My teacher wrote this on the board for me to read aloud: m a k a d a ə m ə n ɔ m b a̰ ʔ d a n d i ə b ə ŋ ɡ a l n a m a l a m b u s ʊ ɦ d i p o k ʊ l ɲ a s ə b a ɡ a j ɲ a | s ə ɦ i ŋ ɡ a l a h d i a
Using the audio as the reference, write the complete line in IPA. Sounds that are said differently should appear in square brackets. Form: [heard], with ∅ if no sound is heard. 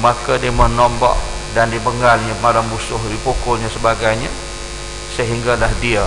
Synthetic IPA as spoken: m a k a d [i] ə m ə n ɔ m b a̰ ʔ d a n d i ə b ə ŋ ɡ a l [ɲ] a m a l a m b u s ʊ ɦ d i p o k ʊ l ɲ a s ə b a ɡ a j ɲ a | s ə ɦ i ŋ ɡ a l a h d i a